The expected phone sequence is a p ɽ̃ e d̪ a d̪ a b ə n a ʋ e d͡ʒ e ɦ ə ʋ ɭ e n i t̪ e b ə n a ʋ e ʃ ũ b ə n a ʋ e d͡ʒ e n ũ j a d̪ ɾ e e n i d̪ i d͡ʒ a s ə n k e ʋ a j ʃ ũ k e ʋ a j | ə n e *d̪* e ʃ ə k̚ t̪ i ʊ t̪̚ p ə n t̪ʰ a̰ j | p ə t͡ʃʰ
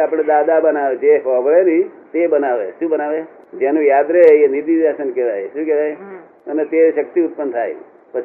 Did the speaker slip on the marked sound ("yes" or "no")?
yes